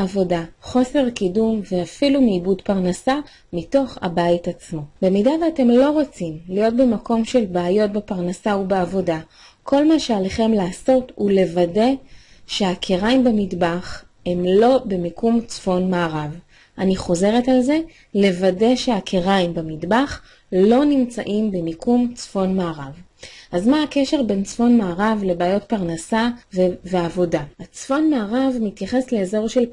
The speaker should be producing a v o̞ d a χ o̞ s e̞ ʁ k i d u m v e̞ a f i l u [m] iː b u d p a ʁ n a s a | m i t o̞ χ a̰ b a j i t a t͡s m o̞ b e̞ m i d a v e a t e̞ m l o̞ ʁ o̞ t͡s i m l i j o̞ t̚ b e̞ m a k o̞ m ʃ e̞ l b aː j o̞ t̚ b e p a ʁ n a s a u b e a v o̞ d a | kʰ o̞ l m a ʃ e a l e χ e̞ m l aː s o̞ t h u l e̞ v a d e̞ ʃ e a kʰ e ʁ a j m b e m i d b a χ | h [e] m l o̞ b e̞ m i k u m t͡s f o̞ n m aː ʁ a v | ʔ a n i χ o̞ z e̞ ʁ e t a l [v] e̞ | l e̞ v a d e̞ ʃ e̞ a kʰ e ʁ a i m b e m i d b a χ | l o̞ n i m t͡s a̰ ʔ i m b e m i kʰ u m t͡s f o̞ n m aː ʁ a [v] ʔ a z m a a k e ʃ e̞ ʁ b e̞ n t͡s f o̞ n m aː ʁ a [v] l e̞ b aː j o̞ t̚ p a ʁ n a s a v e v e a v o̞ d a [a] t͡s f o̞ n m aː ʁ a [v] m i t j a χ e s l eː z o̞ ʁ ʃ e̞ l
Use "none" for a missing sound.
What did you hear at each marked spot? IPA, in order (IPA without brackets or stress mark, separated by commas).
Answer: m, e, z, v, v, a, v